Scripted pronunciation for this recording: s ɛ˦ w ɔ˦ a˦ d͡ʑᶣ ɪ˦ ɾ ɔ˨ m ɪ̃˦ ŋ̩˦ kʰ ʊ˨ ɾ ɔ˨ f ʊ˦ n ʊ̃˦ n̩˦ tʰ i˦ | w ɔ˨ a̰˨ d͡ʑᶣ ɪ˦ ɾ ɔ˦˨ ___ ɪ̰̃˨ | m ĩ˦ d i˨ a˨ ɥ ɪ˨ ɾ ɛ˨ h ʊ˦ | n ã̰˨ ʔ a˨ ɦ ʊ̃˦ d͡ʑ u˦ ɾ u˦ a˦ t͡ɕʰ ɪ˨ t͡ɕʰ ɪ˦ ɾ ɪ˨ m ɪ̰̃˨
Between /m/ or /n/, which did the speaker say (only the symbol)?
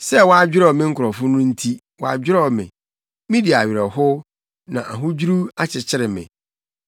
m